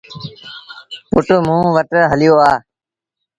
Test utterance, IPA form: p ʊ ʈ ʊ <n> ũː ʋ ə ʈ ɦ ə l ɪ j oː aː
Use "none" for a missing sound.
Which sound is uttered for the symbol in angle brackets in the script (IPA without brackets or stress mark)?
m